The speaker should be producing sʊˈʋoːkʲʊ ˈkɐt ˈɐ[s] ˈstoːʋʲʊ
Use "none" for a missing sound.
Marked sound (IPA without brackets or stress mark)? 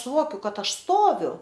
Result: ʃ